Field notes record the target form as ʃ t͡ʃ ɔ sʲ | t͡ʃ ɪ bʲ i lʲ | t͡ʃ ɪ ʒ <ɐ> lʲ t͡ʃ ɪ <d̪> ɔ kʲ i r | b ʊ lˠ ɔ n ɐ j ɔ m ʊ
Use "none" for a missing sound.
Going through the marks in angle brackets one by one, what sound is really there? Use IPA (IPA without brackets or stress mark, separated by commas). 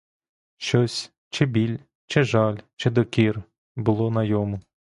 ɑ, d̪